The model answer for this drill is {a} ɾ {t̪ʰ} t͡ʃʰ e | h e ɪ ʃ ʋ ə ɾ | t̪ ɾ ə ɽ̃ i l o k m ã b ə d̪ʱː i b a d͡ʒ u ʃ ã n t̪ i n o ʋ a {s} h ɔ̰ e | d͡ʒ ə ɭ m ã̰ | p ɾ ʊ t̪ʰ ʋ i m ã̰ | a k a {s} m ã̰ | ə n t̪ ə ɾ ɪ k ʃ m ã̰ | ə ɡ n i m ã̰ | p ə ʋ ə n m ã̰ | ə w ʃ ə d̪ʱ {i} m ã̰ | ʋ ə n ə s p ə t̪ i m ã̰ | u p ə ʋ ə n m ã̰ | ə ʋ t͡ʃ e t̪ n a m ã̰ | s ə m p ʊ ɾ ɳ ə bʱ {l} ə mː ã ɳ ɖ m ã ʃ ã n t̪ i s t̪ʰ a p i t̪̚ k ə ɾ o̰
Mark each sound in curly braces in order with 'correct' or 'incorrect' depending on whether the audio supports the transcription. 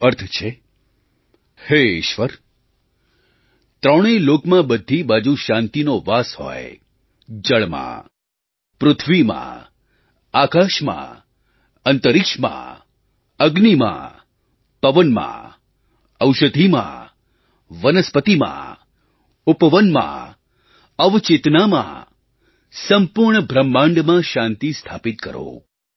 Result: incorrect, correct, correct, incorrect, correct, incorrect

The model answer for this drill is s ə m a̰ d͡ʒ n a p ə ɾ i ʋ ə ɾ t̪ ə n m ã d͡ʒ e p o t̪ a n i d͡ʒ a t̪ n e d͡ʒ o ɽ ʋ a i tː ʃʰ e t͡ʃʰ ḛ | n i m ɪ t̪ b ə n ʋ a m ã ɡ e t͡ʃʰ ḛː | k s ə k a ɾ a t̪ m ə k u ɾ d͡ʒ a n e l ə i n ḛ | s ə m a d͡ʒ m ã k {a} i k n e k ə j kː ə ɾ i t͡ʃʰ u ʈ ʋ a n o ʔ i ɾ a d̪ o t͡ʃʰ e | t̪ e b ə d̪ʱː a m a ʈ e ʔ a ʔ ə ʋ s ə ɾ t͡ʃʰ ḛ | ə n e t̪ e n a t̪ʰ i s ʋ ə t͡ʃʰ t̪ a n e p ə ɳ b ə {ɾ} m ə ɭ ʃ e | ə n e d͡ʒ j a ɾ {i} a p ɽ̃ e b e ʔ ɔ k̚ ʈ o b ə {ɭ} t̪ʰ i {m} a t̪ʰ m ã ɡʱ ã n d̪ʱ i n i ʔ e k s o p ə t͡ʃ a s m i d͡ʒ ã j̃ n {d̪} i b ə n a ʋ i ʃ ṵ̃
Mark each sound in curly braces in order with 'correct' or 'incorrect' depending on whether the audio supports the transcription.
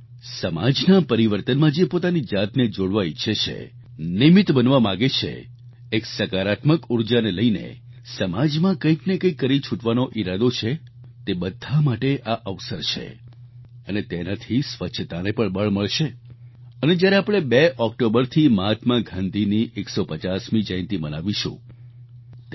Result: incorrect, incorrect, incorrect, incorrect, correct, incorrect

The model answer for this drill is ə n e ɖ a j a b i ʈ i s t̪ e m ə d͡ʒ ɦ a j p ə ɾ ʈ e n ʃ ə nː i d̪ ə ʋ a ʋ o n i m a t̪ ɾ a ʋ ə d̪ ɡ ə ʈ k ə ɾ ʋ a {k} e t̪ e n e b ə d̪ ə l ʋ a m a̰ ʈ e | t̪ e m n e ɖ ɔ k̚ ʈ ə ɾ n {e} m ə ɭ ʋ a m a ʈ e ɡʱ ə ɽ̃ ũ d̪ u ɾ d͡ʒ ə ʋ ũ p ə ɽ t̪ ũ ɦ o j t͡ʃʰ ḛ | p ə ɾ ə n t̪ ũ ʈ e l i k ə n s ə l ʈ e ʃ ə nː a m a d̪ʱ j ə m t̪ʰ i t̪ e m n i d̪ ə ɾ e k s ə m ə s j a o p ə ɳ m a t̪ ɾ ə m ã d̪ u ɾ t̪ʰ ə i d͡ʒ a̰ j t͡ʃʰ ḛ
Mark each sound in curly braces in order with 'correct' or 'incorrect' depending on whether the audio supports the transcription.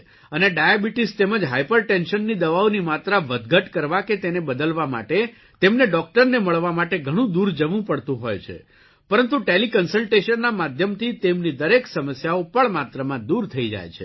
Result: correct, correct

